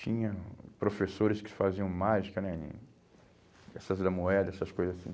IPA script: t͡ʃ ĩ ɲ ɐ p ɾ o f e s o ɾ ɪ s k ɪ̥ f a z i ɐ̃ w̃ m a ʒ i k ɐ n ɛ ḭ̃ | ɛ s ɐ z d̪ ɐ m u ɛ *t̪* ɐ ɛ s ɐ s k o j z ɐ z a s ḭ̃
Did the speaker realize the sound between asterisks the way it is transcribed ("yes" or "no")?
no